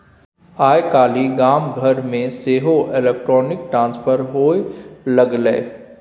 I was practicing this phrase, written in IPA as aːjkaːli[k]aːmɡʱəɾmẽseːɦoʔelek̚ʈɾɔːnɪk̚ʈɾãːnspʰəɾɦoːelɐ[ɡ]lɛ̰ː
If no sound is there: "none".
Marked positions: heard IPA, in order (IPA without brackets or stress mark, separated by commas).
ɡ, ɡ